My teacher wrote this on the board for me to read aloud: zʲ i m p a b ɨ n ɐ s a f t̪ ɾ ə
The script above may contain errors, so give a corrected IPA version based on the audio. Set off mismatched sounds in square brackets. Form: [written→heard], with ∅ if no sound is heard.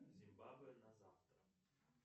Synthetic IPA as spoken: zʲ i m [p→b] a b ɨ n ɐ [s→z] a f t̪ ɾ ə